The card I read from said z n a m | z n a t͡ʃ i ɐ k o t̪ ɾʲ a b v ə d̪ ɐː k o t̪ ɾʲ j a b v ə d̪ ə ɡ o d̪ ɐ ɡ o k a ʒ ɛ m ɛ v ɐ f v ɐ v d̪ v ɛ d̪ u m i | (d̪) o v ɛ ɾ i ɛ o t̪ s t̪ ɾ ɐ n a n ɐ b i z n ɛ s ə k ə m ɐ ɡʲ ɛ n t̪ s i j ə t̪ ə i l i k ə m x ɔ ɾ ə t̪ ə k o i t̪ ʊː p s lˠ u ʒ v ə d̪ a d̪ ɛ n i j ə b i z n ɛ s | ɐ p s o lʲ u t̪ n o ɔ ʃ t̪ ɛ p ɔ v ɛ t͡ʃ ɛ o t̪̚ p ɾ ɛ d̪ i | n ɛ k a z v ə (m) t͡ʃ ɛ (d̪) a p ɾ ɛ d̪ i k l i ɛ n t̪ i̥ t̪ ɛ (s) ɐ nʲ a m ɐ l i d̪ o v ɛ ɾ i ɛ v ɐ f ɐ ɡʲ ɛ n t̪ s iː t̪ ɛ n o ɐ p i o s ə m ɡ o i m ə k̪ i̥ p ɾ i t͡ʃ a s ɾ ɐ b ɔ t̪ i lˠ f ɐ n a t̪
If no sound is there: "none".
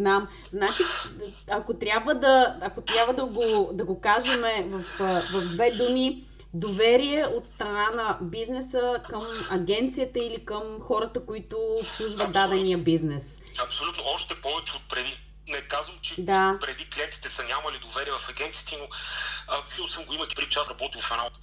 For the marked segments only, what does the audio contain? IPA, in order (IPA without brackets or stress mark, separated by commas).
d̪, m, d̪, s